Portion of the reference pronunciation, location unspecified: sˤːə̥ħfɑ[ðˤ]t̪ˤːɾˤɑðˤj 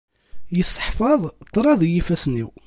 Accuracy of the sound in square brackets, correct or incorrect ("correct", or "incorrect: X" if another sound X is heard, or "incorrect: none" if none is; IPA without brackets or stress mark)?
correct